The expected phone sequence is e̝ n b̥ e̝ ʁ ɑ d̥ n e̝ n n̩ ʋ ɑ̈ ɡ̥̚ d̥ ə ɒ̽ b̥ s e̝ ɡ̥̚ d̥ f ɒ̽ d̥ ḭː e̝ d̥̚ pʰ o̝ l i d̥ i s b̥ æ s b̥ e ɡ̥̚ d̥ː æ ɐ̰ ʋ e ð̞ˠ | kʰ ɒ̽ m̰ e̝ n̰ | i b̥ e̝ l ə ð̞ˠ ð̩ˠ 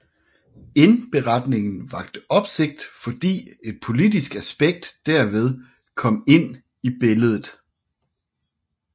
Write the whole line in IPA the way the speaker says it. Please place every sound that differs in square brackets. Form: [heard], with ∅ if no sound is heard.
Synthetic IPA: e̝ n b̥ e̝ ʁ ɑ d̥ n e̝ [ŋ] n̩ ʋ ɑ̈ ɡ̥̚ d̥ ə ɒ̽ b̥ s e̝ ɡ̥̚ d̥ f ɒ̽ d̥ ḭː e̝ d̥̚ pʰ o̝ l i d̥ i s [ɡ̥] æ s b̥ e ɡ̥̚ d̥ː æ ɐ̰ ʋ e ð̞ˠ | kʰ ɒ̽ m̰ e̝ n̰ | i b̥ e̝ l ə ð̞ˠ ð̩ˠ